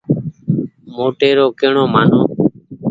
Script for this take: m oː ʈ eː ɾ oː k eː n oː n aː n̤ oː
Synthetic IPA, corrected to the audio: m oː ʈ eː ɾ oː k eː ɳ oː m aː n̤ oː